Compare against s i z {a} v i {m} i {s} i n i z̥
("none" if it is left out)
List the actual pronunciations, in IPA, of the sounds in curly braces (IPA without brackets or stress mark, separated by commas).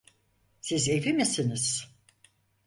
e, m, s